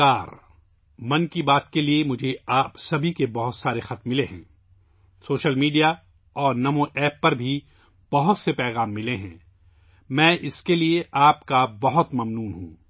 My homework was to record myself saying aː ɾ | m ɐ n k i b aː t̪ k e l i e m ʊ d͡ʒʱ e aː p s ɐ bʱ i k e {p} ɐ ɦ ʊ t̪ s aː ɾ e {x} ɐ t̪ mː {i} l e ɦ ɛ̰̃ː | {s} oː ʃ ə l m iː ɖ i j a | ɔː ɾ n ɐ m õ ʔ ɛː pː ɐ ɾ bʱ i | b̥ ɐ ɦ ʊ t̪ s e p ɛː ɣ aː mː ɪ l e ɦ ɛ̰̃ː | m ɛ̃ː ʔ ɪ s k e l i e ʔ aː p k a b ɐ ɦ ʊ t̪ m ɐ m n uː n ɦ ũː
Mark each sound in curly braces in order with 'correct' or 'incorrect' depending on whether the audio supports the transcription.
incorrect: b, correct, incorrect: ɪ, correct

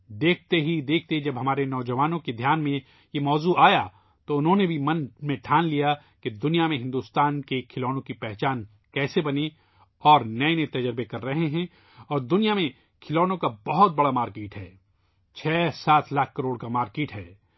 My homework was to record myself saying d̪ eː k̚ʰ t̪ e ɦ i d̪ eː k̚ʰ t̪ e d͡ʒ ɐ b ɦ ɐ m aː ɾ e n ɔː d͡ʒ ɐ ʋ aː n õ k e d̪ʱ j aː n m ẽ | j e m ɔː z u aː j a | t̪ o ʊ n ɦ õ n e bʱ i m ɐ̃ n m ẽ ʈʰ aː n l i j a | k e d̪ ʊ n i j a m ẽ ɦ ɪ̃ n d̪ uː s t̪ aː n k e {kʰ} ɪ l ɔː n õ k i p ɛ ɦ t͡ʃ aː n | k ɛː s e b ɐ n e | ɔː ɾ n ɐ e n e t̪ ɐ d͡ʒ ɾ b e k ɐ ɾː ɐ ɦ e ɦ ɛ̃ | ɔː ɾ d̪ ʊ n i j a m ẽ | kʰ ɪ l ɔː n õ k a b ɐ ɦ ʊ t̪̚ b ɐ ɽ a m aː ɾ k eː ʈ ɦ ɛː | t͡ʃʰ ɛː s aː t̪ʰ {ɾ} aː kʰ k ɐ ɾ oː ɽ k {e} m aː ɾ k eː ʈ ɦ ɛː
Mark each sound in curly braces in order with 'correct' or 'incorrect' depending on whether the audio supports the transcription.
correct, incorrect: l, incorrect: a

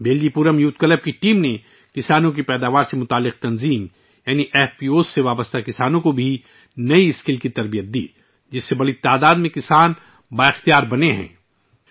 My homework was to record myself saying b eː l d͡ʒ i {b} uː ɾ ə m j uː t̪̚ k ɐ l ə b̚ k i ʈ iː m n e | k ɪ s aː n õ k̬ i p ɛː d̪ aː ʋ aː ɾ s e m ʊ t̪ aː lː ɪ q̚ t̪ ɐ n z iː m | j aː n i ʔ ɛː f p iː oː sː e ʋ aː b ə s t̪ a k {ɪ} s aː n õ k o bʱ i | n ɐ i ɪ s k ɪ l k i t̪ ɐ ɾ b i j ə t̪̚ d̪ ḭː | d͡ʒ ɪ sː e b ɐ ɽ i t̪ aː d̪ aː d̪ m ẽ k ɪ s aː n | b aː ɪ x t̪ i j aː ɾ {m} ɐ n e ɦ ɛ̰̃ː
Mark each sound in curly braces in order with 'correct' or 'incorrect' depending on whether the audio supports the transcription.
incorrect: p, correct, incorrect: b

